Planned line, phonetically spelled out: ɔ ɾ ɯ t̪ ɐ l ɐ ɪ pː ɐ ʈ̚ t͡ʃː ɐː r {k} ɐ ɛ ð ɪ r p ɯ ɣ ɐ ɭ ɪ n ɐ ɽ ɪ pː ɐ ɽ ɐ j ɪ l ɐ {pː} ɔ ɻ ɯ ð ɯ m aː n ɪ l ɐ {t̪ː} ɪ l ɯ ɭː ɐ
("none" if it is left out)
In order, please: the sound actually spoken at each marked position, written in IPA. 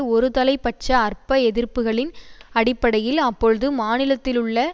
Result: p, pː, t̪ː

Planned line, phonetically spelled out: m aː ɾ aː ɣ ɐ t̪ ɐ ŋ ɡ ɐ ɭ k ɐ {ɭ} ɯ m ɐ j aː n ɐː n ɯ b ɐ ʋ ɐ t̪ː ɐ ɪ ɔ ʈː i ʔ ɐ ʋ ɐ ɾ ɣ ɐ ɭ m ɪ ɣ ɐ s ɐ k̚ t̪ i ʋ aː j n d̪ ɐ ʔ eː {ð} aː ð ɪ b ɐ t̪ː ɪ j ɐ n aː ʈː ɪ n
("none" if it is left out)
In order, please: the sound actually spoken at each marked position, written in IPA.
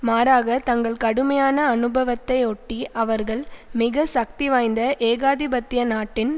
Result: ɽ, ɣ

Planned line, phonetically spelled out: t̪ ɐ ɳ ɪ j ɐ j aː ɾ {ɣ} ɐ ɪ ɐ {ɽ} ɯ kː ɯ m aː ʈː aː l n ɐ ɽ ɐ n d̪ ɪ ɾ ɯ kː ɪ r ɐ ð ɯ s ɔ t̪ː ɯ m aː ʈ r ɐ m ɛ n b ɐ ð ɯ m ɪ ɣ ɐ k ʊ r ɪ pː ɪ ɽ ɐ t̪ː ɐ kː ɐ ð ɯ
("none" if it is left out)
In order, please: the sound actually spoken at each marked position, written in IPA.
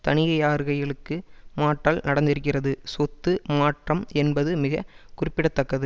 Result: ɣ, ɭ

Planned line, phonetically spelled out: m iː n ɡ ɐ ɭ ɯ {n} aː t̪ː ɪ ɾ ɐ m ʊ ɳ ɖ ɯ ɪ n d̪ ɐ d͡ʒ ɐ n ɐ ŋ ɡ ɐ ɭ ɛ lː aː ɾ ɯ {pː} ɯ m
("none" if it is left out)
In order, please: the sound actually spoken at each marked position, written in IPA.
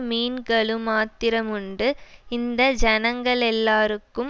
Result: m, kː

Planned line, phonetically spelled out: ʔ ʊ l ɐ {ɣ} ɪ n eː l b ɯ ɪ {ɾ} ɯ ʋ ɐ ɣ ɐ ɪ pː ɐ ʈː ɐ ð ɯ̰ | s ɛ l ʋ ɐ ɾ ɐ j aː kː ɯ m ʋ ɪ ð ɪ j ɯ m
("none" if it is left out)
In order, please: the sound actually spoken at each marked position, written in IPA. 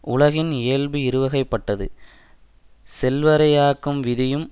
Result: ɣ, ɾ

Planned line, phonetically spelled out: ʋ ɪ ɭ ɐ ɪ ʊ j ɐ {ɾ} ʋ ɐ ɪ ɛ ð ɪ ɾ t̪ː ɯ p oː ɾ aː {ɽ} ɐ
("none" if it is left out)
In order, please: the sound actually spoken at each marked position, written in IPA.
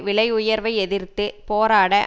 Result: ɾ, ɽ

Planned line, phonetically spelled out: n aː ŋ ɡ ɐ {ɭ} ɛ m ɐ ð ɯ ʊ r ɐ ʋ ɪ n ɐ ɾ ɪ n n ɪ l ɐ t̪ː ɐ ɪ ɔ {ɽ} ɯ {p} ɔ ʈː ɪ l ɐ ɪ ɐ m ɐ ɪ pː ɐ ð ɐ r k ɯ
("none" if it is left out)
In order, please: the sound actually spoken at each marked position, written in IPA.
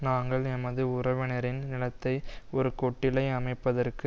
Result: ɭ, ɾ, k

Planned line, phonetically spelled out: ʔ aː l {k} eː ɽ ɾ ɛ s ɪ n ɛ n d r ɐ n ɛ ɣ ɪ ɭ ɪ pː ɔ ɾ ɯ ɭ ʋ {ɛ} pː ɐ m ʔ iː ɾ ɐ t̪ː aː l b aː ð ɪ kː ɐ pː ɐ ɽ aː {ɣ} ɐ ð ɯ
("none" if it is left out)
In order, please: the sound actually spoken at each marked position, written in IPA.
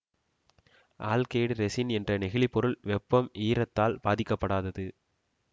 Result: k, ɛ, ð

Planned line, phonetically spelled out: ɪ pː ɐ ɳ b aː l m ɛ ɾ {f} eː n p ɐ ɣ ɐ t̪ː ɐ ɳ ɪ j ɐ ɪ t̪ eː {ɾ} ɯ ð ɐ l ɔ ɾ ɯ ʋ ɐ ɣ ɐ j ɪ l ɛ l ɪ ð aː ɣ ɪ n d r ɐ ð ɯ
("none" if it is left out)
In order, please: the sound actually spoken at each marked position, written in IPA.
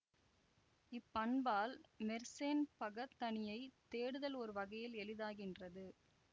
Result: s, ɽ

